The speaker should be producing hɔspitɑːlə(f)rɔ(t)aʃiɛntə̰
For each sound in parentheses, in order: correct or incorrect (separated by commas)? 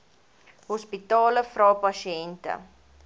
correct, incorrect